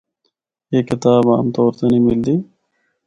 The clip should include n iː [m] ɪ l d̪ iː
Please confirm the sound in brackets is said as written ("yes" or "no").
yes